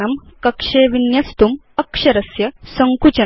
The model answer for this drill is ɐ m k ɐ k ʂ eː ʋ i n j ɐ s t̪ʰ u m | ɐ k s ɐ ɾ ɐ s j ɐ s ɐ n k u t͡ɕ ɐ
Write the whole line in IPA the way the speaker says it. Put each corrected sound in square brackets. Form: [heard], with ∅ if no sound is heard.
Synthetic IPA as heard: ɐ m k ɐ k ʂ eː ʋ i n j ɐ s [t̪] u m | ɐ k [ʂ] ɐ ɾ ɐ s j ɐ s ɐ [ŋ] k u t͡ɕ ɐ